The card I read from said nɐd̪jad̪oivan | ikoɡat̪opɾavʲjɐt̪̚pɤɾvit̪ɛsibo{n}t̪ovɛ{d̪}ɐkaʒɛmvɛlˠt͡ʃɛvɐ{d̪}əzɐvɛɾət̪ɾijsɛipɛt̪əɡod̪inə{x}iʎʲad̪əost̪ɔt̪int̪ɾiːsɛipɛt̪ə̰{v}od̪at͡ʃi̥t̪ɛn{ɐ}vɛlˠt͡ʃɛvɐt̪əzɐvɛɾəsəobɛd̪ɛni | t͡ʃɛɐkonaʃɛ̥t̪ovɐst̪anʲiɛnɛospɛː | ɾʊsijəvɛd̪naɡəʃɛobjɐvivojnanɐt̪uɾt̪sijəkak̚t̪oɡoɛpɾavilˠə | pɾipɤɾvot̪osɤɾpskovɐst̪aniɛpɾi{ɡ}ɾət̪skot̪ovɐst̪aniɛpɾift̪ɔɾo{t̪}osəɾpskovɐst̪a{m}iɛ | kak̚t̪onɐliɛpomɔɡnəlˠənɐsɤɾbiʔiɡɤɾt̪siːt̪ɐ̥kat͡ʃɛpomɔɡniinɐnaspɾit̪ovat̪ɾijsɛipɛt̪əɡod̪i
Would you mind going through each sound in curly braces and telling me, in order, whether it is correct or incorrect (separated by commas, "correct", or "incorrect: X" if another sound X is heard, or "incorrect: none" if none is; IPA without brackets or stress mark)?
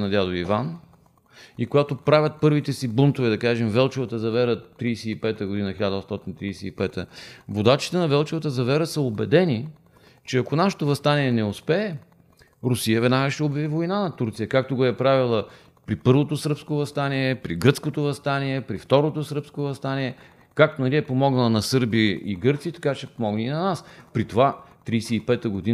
correct, correct, incorrect: t̪, correct, correct, correct, correct, correct, incorrect: n